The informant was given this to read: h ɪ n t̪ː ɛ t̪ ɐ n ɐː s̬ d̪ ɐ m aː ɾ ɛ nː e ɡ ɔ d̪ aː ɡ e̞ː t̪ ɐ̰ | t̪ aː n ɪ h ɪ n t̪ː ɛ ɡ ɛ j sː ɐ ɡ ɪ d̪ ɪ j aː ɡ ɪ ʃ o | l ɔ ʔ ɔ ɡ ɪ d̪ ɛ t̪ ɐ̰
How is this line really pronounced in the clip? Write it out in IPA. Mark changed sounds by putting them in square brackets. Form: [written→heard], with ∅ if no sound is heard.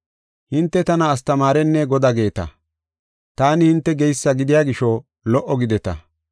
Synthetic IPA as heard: h ɪ n t̪ː ɛ t̪ ɐ n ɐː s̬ [d̪→t̪] ɐ m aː ɾ ɛ nː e ɡ ɔ d̪ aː ɡ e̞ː t̪ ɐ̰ | t̪ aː n ɪ h ɪ n t̪ː ɛ ɡ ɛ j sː ɐ ɡ ɪ d̪ ɪ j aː ɡ ɪ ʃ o | l ɔ ʔ ɔ ɡ ɪ d̪ ɛ t̪ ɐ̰